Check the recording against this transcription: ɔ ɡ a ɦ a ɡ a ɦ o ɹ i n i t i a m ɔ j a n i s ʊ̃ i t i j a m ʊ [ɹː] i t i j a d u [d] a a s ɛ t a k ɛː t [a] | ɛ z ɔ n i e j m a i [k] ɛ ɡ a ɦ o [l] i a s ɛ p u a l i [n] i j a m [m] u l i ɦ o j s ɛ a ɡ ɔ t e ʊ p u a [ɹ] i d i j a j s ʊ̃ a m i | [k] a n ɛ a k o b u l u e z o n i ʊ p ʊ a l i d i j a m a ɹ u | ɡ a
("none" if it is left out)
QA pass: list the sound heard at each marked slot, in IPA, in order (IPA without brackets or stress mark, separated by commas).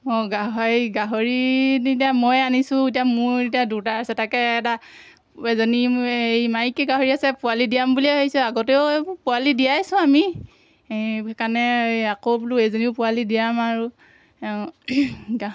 ɹ, t, a, k, ɹ, d, b, l, k